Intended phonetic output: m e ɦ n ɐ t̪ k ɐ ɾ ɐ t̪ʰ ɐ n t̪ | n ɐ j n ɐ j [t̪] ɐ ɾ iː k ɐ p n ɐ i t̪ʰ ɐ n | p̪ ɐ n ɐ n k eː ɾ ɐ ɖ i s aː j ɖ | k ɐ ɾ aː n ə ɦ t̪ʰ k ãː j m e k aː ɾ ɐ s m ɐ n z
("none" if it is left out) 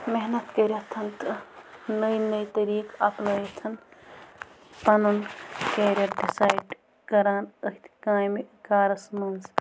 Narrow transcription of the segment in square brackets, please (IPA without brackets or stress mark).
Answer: t̪